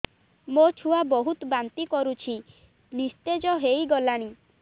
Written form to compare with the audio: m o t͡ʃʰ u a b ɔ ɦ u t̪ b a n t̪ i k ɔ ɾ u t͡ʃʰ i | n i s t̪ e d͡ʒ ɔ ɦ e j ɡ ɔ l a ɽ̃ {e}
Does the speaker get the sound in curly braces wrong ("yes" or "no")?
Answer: yes